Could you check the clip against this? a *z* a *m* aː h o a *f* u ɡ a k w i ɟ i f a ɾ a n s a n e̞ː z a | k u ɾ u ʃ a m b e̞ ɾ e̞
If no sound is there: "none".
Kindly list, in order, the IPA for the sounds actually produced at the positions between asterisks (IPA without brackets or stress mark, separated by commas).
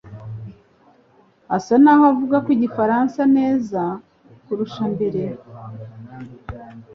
s, n, v